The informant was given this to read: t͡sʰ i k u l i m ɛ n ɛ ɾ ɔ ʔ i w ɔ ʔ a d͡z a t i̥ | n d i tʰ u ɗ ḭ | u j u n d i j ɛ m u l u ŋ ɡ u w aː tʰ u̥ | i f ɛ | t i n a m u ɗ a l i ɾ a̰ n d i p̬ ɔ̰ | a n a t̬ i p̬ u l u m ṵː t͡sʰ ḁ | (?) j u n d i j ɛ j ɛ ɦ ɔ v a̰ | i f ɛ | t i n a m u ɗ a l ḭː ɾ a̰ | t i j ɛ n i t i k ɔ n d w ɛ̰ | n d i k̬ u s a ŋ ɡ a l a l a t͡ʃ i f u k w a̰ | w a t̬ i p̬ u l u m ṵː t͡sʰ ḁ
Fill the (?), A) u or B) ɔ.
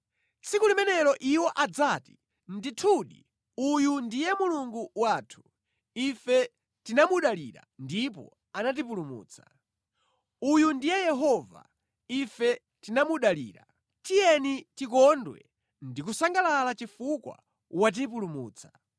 A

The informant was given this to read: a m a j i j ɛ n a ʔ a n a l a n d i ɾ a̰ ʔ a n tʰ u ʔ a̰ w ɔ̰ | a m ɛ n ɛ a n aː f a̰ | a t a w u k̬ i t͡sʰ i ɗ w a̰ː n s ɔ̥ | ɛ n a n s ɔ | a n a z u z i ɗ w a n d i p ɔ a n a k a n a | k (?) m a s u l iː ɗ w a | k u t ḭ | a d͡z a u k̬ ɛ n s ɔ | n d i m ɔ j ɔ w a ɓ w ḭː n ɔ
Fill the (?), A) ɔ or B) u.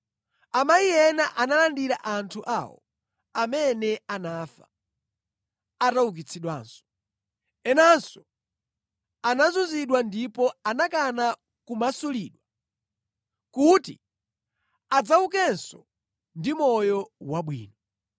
B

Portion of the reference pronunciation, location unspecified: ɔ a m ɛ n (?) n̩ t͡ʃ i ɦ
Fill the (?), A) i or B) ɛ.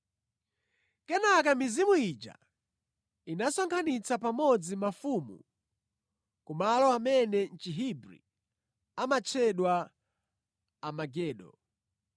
B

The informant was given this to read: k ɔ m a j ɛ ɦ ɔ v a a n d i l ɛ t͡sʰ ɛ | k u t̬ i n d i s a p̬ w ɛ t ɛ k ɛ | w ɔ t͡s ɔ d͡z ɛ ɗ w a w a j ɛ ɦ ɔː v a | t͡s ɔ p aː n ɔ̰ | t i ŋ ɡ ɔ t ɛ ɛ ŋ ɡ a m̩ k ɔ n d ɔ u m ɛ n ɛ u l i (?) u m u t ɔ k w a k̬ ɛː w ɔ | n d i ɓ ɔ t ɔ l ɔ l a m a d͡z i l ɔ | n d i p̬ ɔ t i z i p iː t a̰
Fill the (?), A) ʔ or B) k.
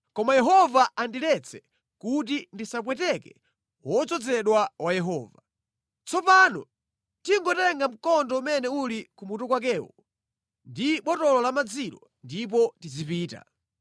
B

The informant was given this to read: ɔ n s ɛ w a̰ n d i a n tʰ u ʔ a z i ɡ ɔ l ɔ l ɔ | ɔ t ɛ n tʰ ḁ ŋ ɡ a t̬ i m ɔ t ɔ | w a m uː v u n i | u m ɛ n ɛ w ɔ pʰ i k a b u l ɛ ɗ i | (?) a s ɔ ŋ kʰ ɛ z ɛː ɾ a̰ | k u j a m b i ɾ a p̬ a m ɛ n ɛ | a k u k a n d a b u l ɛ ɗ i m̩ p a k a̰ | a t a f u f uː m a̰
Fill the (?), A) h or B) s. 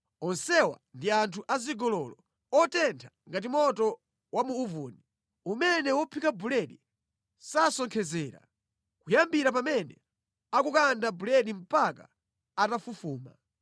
B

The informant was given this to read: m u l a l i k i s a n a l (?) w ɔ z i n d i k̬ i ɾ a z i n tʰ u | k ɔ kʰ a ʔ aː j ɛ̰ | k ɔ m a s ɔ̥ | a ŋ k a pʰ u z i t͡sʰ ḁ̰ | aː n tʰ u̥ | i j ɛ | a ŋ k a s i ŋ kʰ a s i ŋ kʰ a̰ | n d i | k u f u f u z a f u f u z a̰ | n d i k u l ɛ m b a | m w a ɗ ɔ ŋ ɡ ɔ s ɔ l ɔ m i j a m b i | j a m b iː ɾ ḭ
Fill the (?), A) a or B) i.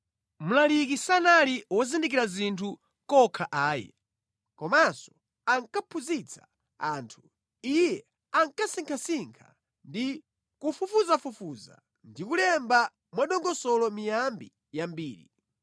B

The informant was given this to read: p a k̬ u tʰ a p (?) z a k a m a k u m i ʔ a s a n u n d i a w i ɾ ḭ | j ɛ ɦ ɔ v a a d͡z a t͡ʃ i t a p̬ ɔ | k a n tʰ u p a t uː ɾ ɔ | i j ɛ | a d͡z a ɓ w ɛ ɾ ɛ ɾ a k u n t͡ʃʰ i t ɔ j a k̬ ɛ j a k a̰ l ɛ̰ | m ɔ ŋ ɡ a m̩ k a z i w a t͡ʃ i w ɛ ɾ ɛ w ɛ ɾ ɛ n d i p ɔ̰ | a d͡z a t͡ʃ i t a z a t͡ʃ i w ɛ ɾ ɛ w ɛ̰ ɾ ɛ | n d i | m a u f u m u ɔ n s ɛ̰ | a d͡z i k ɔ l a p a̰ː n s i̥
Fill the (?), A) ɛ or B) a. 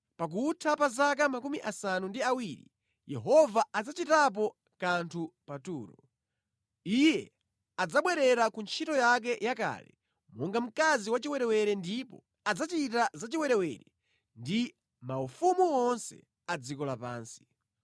B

